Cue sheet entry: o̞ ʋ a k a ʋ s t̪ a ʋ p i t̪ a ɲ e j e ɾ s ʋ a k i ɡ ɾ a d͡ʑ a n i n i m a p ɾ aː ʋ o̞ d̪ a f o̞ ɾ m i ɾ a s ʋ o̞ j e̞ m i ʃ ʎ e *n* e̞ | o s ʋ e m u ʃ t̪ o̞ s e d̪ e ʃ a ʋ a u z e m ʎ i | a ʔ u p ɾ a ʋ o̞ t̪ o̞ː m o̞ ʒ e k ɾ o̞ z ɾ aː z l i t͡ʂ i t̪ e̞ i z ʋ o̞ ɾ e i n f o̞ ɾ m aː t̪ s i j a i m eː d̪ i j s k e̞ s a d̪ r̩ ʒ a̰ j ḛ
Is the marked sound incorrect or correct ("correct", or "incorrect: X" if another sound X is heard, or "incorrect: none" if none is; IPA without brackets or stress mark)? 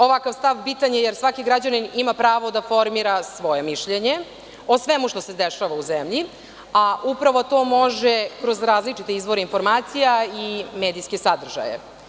incorrect: ɲ